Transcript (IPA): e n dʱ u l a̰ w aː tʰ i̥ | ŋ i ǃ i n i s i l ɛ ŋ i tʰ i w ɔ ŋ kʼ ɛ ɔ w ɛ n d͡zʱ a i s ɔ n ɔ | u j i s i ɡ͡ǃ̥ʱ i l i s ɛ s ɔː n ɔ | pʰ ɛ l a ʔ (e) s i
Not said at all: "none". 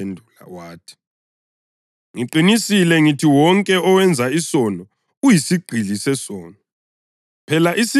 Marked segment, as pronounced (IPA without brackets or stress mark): i